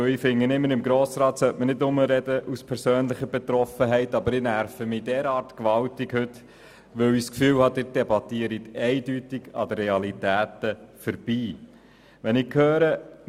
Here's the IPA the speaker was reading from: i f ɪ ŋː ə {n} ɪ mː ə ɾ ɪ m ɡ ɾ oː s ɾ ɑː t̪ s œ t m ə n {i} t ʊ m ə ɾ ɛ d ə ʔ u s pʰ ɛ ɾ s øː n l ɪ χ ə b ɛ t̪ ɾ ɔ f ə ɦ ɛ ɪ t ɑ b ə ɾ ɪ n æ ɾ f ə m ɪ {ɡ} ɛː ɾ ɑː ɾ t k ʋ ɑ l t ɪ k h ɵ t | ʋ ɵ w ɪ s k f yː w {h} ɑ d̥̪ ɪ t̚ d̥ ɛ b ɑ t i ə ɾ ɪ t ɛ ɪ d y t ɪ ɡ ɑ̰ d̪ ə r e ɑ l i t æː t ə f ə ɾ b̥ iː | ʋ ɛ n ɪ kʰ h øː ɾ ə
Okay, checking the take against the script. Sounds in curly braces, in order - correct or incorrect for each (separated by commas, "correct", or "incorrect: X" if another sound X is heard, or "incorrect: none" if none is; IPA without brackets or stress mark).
correct, incorrect: ɪ, incorrect: d, correct